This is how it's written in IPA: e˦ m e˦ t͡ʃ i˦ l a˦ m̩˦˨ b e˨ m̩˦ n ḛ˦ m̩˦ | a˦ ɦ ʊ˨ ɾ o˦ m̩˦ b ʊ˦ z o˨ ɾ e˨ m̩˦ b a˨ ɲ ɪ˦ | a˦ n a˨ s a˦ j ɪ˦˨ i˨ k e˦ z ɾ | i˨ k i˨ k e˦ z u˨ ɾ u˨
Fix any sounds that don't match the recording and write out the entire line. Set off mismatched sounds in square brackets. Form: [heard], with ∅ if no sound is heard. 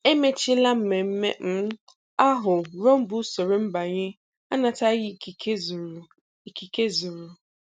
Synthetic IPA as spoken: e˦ m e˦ t͡ʃ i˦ l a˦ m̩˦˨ [m] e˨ m̩˦ [m] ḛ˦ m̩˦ | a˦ ɦ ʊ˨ ɾ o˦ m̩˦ b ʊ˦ [s] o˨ ɾ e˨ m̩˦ b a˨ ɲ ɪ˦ | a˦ n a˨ [t] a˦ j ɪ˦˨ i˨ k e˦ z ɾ | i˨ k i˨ k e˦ z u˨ ɾ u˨